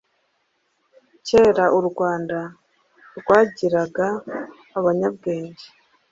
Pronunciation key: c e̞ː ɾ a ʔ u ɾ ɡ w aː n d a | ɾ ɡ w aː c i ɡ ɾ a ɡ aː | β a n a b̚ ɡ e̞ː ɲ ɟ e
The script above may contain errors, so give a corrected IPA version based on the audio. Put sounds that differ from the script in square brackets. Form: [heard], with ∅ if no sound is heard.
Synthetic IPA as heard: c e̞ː ɾ a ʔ u ɾ ɡ w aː n d a | ɾ ɡ w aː [ɟ] i [∅] ɾ a ɡ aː | β a [ɲ] a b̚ ɡ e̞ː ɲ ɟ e